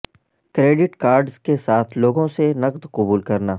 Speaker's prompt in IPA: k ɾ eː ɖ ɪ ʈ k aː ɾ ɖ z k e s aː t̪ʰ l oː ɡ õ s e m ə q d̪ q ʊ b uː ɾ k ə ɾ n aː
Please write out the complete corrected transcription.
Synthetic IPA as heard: k ɾ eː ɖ ɪ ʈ k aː ɾ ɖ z k e s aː t̪ʰ l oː ɡ õ s e n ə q d̪ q ʊ b uː l k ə ɾ n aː